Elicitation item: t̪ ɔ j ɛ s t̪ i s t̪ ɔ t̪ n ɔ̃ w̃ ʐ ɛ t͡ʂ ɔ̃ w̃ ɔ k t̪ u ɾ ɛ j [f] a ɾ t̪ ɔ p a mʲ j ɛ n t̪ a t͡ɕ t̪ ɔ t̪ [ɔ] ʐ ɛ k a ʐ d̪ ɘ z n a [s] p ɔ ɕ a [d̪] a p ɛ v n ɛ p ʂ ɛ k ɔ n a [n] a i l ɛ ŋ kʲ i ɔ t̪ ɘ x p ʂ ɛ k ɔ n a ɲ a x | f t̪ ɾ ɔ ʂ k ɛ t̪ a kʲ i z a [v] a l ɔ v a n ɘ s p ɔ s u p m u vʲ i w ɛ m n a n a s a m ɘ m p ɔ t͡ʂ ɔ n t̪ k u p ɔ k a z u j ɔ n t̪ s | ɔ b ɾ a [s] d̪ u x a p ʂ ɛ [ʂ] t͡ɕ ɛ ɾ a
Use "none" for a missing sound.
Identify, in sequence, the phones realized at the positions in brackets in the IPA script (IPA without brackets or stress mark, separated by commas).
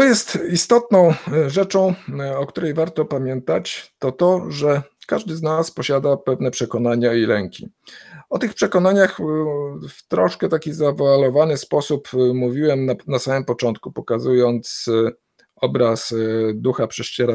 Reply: v, ɔ, s, d̪, ɲ, v, s, ʂ